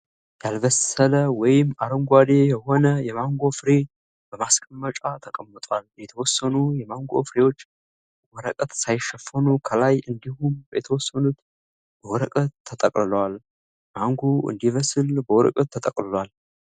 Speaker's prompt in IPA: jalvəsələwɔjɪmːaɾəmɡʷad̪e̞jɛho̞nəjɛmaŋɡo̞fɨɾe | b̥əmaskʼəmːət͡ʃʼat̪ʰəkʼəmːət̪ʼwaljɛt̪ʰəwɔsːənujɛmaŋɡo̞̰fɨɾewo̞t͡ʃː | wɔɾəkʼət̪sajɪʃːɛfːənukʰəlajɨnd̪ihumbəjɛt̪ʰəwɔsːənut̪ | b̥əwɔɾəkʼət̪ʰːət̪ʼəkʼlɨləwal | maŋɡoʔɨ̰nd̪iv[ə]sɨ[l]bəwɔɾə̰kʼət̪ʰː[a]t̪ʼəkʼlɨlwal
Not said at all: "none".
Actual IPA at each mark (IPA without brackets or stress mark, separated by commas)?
ə, l, ə